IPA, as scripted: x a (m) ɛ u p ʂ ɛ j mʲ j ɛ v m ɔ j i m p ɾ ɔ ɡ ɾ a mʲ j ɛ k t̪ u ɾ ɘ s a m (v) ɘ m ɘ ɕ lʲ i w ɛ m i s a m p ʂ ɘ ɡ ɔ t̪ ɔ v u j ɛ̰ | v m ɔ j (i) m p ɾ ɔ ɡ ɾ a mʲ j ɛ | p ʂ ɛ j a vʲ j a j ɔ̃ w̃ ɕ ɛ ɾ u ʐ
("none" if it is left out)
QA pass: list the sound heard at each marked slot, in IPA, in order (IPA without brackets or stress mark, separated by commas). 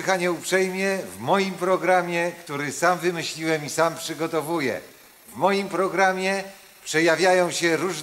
ɲ, v, i